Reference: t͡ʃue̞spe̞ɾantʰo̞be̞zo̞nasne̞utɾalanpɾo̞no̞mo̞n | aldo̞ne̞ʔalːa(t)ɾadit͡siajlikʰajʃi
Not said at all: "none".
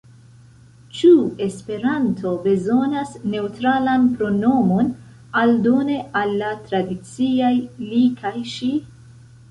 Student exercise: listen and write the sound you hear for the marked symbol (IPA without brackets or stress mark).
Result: t